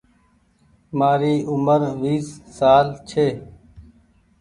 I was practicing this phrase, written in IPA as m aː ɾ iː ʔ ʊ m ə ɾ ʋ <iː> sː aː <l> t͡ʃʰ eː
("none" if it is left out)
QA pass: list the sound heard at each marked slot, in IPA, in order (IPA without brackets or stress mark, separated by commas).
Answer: iː, l